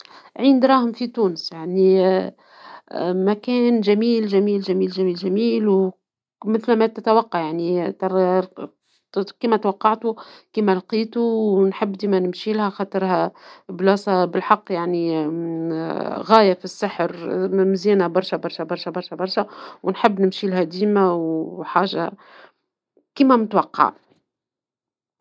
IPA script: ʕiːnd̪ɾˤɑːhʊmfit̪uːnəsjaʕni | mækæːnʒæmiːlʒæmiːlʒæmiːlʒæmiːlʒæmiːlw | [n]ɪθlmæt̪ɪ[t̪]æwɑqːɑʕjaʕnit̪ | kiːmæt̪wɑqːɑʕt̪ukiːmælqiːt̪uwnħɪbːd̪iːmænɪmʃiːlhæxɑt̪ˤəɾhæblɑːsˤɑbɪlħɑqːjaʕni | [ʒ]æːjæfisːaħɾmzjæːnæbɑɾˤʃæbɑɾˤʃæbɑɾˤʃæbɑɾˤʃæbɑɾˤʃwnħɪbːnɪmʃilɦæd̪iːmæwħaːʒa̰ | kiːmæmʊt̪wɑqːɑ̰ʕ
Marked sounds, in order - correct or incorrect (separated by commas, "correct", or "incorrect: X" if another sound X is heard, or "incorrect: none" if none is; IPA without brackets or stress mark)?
incorrect: m, correct, incorrect: ɣ